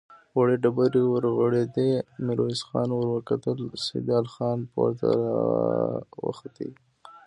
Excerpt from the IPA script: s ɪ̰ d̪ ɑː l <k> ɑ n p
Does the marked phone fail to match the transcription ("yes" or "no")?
yes